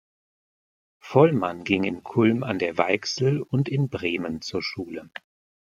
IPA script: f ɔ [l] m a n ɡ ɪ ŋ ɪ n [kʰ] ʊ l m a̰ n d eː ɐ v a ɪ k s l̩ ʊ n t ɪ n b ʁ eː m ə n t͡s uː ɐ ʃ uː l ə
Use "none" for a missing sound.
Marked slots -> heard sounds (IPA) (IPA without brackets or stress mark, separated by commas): l, kʰ